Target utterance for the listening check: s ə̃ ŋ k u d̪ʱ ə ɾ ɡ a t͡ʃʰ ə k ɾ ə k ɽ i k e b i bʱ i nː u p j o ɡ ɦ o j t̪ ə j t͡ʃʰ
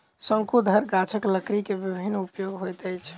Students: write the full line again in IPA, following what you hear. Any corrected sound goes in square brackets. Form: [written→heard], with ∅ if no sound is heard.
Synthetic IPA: s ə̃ ŋ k u d̪ʱ ə ɾ ɡ a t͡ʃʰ ə k [ɾ→l] ə k [ɽ→ɾ] i k e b i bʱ i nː u p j o ɡ ɦ o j t̪ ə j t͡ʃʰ